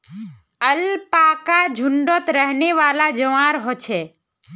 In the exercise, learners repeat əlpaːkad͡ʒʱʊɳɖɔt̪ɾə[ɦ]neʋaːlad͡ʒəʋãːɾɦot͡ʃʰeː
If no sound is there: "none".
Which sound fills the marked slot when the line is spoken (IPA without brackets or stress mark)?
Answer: ɦ